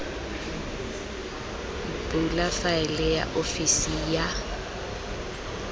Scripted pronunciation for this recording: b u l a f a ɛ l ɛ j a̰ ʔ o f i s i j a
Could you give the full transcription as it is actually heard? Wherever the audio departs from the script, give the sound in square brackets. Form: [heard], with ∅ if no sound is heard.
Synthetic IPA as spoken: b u l a f a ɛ l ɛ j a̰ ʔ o f i s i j a